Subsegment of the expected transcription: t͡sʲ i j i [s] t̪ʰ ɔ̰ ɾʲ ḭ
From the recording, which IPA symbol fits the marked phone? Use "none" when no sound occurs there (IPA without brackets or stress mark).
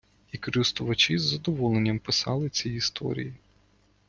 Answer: s